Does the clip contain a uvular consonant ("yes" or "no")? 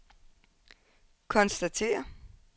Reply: no